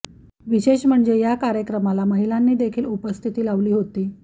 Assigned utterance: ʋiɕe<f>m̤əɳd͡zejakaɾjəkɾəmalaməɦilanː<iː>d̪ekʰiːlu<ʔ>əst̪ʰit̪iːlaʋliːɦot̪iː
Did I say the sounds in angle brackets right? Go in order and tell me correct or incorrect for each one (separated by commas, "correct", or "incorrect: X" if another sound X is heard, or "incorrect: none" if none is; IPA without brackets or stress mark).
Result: incorrect: ɕ, correct, incorrect: p